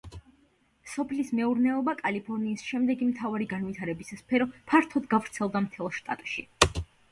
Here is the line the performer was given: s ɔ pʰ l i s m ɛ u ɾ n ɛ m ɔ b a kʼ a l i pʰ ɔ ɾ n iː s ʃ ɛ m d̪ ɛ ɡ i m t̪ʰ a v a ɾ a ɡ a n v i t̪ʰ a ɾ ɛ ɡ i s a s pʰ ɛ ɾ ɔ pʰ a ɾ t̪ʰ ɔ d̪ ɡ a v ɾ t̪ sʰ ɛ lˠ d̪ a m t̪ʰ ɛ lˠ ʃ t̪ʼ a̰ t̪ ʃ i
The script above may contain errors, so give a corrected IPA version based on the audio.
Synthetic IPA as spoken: s ɔ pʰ l i s m ɛ u ɾ n ɛ ɔ b a kʼ a l i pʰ ɔ ɾ n iː s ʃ ɛ m d̪ ɛ ɡ i m t̪ʰ a v a ɾ i ɡ a n v i t̪ʰ a ɾ ɛ b i s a s pʰ ɛ ɾ ɔ pʰ a ɾ t̪ʰ ɔ d̪ ɡ a v ɾ t̪ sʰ ɛ lˠ d̪ a m t̪ʰ ɛ lˠ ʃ t̪ʼ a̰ t̪ʼ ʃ i